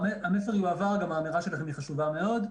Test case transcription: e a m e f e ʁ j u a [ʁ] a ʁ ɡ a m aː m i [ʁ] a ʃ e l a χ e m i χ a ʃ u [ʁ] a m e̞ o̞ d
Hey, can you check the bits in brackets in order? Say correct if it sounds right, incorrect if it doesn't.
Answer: incorrect: v, correct, incorrect: v

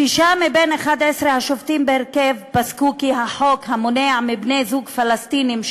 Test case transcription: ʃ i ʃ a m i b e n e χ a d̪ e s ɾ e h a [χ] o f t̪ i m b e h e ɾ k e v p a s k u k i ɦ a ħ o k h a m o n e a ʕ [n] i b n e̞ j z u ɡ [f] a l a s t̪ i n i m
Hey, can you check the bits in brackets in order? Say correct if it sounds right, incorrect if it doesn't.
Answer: incorrect: ʃ, incorrect: m, correct

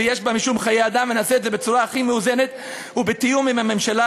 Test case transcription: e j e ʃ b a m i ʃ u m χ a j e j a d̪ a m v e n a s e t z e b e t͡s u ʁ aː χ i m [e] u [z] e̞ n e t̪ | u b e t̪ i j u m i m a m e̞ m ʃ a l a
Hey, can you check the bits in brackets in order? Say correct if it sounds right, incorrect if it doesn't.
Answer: correct, correct

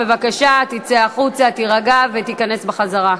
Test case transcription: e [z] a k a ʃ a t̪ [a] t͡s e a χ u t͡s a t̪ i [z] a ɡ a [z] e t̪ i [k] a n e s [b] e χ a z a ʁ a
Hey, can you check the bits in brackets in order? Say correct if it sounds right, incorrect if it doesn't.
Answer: incorrect: v, incorrect: i, incorrect: ʁ, incorrect: v, correct, correct

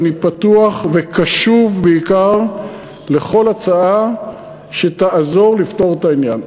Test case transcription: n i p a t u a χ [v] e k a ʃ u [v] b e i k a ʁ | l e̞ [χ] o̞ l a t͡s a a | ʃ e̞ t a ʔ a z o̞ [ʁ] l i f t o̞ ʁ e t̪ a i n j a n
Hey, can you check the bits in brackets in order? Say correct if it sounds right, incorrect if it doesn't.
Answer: correct, correct, correct, correct

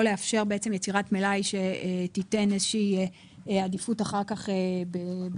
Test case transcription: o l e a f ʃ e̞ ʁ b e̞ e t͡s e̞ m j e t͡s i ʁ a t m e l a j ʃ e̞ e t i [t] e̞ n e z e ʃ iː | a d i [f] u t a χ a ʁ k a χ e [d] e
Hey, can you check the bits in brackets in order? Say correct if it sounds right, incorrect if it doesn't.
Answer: correct, correct, incorrect: b

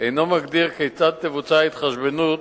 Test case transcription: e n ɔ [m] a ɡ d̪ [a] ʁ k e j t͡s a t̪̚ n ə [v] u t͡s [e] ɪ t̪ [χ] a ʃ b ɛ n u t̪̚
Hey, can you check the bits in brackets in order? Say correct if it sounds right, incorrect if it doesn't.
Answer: correct, incorrect: i, correct, incorrect: a, correct

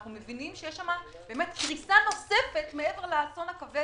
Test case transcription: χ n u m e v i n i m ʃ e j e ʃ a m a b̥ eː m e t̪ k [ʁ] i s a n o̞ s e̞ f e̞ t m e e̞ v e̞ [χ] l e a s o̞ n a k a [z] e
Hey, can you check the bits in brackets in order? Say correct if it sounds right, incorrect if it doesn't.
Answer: correct, incorrect: ʁ, incorrect: v

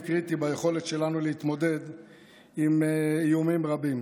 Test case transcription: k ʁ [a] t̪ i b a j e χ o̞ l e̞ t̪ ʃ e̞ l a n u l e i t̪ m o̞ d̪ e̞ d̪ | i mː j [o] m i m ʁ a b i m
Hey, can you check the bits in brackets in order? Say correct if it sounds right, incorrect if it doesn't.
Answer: incorrect: i, incorrect: u

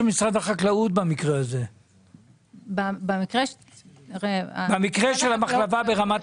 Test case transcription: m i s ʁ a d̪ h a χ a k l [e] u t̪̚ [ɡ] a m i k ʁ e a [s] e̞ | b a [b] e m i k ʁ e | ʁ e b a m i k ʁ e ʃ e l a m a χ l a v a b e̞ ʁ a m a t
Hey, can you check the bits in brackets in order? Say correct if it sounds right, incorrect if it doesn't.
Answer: incorrect: a, incorrect: b, incorrect: z, correct

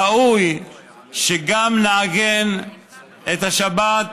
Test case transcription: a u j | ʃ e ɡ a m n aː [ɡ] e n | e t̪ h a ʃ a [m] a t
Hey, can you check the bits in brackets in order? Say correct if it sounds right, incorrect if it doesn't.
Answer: correct, incorrect: b

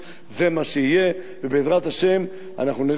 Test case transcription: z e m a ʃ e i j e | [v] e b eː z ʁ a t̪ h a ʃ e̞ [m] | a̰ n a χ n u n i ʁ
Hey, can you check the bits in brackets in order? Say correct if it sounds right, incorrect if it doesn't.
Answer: correct, correct

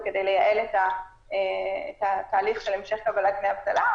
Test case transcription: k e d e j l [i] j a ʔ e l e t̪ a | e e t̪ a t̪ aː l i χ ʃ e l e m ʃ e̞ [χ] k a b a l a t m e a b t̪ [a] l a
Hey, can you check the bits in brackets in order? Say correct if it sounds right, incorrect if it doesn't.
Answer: incorrect: e, correct, correct

